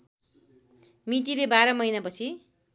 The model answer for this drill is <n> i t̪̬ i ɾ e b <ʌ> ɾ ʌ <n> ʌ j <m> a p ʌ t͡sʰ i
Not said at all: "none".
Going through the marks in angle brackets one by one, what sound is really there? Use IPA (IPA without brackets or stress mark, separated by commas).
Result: m, a, m, n